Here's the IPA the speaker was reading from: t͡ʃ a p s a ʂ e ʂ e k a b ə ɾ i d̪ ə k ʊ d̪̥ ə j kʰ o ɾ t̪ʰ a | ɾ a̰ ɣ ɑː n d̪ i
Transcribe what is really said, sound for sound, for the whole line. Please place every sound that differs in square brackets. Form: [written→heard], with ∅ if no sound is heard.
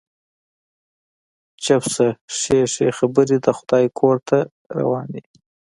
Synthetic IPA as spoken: t͡ʃ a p s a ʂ e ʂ e [k→x] a b ə ɾ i d̪ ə [k→x] ʊ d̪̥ [ə→ɑ] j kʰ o ɾ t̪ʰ a | ɾ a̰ [ɣ→w] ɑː n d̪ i